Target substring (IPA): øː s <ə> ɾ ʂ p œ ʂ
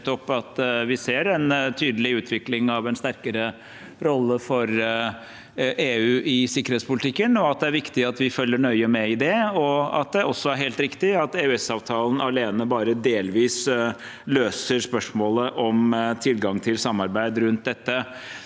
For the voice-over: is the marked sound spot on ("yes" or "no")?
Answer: yes